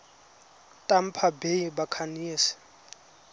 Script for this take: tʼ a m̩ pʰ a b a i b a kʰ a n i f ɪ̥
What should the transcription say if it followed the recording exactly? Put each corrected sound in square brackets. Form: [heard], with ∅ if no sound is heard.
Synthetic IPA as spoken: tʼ a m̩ pʰ a b [e] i b a kʰ a n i [s] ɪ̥